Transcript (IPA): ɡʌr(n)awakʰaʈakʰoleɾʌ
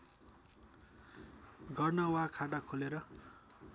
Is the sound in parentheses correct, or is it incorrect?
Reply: correct